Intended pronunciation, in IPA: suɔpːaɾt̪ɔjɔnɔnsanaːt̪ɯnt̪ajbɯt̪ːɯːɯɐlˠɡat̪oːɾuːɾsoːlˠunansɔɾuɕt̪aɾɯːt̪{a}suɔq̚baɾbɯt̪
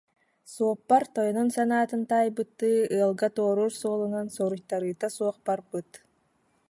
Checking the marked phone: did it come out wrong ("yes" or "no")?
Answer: no